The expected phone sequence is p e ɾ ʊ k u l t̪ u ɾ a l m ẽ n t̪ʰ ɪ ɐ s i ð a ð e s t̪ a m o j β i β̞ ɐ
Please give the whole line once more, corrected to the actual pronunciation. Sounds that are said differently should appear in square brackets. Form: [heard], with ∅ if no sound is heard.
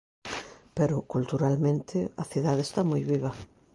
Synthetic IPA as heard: p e ɾ ʊ k u l t̪ u ɾ a l m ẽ n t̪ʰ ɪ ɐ [θ] i ð a ð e s t̪ a m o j β i β̞ ɐ